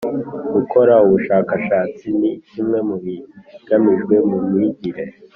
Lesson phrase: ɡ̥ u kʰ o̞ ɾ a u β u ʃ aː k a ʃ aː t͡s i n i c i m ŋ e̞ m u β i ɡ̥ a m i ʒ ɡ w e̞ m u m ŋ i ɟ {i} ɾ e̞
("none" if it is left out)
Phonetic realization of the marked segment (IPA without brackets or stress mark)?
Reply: i